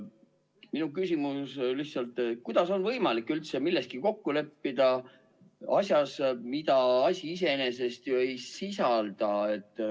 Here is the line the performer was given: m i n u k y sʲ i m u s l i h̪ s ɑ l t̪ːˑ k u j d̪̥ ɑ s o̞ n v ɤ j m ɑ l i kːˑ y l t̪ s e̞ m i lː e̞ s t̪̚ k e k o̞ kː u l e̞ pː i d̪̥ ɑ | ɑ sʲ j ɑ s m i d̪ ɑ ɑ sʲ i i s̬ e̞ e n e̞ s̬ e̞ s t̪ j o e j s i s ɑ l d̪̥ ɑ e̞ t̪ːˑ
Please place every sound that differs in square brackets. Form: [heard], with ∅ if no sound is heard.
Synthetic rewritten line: m i n u k y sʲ i m u s l i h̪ s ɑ l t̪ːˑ k u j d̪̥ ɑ s o̞ n v ɤ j m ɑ l i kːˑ y l t̪ s e̞ m i lː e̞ s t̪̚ k [i] k o̞ kː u l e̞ pː i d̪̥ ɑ | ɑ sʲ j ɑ s m i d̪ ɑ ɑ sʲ i i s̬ e̞ e n e̞ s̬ e̞ s t̪ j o e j s i s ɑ l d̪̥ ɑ e̞ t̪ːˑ